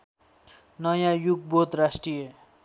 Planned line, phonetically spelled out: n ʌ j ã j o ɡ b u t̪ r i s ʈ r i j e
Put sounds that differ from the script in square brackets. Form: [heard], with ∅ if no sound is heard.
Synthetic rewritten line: n ʌ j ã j [u] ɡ b [o] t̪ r [a] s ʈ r i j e